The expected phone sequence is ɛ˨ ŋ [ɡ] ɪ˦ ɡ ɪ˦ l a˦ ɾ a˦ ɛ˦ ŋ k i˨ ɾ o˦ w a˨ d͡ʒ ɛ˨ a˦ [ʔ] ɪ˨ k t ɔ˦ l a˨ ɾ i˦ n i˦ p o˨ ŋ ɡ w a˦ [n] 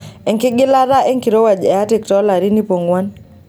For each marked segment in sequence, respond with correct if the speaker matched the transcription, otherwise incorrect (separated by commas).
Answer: incorrect, incorrect, correct